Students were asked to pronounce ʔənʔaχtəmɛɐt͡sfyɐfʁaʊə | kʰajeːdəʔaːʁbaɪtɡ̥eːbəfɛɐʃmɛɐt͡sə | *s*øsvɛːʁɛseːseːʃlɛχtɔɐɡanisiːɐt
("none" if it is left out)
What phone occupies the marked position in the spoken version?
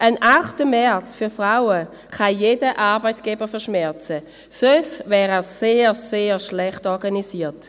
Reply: s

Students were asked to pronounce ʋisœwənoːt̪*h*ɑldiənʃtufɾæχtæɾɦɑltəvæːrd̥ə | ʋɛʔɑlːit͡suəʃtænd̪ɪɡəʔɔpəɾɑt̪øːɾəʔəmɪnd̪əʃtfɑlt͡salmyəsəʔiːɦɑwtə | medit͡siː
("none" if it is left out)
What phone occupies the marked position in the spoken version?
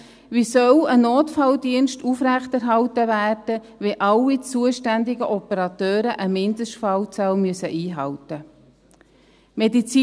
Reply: f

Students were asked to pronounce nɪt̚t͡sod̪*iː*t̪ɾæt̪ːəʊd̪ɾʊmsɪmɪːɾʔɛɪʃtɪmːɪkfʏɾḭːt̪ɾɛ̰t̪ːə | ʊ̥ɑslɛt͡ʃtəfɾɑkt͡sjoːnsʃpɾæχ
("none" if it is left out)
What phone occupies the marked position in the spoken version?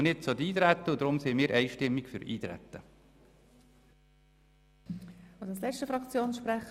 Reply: iː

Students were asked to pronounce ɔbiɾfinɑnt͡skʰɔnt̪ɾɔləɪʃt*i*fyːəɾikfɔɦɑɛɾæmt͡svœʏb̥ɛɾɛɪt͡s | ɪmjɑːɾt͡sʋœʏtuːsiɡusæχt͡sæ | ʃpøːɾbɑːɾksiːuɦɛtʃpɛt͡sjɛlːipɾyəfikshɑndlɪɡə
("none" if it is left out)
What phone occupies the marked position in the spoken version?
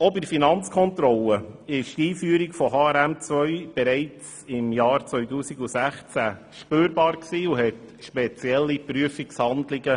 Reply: iː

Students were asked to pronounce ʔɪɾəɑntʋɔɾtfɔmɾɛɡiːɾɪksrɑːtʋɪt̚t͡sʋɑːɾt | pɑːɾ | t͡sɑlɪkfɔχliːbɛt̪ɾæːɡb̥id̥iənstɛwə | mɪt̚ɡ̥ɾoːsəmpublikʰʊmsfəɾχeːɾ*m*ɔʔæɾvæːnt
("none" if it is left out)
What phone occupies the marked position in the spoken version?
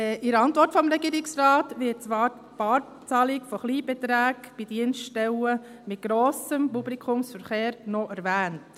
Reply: n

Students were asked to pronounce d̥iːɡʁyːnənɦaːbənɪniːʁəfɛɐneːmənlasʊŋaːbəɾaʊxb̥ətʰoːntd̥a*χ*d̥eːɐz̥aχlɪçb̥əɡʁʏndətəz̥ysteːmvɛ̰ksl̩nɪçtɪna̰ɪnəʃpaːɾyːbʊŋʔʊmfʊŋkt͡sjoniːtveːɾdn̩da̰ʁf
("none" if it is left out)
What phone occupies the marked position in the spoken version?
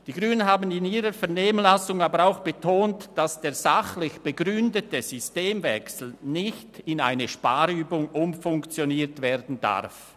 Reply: s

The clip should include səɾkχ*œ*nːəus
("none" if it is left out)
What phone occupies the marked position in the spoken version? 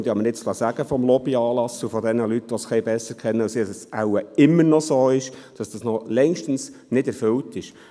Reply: ɛ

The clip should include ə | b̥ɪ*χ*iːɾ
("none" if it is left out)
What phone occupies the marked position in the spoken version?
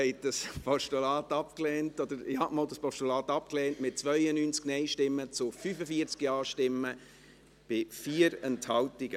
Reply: f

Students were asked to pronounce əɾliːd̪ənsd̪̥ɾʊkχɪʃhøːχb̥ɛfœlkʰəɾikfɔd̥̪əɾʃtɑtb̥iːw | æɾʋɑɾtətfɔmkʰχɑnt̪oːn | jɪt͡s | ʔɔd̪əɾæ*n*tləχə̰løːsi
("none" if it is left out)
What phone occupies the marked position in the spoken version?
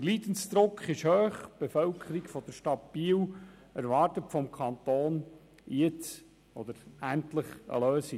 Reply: n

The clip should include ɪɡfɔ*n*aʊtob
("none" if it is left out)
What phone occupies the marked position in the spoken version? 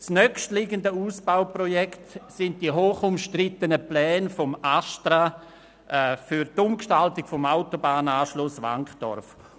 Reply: m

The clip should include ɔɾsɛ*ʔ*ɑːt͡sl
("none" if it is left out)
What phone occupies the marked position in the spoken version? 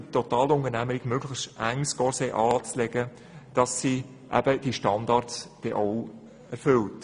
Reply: ʔ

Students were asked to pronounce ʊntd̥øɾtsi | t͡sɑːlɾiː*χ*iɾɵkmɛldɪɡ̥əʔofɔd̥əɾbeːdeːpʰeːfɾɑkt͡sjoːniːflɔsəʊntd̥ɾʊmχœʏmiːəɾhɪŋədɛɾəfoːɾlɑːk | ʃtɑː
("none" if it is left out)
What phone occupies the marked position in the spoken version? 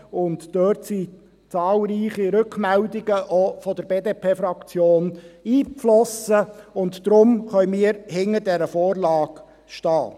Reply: χ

